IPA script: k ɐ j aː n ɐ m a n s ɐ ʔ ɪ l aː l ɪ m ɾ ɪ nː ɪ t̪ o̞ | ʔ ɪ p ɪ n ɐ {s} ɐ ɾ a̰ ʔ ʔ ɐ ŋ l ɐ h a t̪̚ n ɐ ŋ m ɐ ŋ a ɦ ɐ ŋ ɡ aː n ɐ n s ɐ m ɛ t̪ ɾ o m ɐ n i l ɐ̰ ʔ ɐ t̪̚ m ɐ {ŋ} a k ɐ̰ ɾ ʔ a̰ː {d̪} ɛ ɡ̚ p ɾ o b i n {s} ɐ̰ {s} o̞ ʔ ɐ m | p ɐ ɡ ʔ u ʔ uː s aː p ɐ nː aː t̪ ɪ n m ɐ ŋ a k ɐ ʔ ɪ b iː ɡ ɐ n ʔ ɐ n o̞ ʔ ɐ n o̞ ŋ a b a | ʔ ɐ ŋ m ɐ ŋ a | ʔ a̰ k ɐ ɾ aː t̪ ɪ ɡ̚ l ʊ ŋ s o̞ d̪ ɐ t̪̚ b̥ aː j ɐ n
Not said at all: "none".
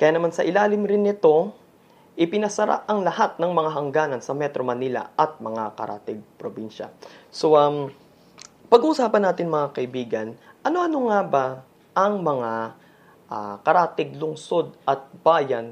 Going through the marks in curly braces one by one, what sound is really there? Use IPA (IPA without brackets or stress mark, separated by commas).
s, ŋ, t̪, ʃ, s